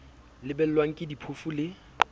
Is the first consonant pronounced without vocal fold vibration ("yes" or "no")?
no